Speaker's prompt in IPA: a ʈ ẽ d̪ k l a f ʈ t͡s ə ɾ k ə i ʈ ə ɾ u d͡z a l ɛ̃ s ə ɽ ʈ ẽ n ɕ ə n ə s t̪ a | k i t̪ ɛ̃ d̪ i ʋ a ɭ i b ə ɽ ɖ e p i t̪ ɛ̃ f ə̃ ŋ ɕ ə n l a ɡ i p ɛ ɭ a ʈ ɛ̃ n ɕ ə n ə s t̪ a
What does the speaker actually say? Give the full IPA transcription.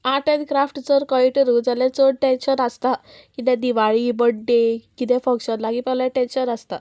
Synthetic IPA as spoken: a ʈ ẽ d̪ k ɾ a f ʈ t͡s ə ɾ k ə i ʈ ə ɾ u d͡z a l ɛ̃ t͡s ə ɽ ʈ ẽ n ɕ ə n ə s t̪ a | k i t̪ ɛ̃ d̪ i ʋ a ɭ i b ə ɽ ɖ e k i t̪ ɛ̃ f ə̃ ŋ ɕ ə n l a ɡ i p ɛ l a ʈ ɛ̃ n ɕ ə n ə s t̪ a